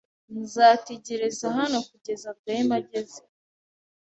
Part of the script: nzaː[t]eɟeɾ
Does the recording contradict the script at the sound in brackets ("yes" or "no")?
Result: no